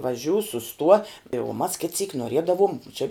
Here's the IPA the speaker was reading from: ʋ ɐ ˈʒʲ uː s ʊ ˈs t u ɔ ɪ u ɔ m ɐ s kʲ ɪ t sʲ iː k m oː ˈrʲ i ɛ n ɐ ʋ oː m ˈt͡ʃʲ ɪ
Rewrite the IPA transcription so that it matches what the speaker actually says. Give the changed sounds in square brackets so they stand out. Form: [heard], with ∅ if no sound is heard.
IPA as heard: ʋ ɐ ˈʒʲ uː s ʊ ˈs t u ɔ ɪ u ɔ m ɐ s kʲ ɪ t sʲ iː k [n] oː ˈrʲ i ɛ [d] ɐ ʋ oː m ˈt͡ʃʲ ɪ